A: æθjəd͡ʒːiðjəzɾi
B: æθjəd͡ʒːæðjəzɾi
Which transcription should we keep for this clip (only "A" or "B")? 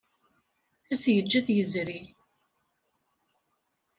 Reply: B